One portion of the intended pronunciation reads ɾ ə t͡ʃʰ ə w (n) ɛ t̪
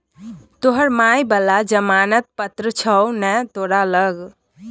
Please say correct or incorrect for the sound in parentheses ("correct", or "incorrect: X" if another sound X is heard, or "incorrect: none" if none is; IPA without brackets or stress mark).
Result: correct